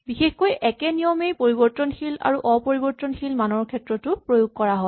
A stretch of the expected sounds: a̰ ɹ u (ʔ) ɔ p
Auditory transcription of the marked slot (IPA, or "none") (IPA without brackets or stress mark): ʔ